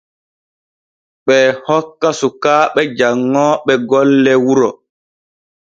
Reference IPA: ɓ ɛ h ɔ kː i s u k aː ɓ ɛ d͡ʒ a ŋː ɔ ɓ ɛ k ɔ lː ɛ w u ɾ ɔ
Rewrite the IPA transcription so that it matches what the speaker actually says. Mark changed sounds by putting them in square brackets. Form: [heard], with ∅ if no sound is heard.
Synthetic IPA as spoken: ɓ ɛ h ɔ kː [a] s u k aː ɓ ɛ d͡ʒ a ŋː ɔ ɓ ɛ [ɡ] ɔ lː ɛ w u ɾ ɔ

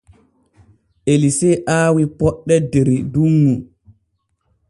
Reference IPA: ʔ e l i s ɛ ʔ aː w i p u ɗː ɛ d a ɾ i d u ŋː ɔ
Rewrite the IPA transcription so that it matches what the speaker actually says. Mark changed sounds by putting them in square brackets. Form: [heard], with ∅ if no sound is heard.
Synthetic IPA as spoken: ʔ e l i s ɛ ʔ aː w i p [ɔ] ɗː ɛ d [e] ɾ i d u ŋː [u]

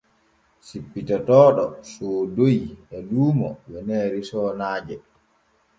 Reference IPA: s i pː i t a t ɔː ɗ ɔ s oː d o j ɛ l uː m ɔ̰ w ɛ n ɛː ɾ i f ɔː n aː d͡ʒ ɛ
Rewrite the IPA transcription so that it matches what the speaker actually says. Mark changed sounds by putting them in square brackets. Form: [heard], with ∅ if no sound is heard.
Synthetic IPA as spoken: s i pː i t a t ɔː ɗ ɔ s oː d o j ɛ l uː m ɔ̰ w ɛ n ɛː ɾ i [s] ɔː n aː d͡ʒ ɛ

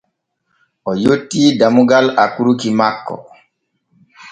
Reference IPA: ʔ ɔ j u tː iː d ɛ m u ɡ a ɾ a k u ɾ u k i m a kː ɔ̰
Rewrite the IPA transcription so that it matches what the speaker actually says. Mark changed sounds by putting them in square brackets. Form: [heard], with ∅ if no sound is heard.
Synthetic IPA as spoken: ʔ ɔ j [o] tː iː d [a] m u ɡ a [l] a k u ɾ u k i m a kː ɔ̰

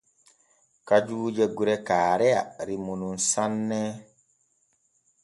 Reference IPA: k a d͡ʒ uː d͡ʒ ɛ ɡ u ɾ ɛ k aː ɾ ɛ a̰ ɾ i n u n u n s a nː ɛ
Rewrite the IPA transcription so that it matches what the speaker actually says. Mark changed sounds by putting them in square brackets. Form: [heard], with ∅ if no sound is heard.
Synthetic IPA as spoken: k a d͡ʒ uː d͡ʒ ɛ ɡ u ɾ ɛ k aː ɾ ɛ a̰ ɾ i [m] u n u n s a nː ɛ

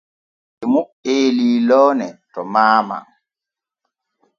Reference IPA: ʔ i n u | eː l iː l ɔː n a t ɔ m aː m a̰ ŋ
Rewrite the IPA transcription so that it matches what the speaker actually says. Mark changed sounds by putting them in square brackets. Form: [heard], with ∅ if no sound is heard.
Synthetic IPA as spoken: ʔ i [m] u | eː l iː l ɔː n [ɛ] t ɔ m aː m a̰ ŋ

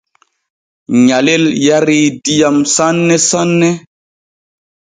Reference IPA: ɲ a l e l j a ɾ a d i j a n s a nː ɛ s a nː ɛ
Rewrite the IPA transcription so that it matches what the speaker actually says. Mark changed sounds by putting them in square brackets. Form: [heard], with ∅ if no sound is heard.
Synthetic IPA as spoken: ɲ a l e l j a ɾ [i] d i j a [m] s a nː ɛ s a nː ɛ

